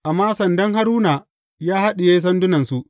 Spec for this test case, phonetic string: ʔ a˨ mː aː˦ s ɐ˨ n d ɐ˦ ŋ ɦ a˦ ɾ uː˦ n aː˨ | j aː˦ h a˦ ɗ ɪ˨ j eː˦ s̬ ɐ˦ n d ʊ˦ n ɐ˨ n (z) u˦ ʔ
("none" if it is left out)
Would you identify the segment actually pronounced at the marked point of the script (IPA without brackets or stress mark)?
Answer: s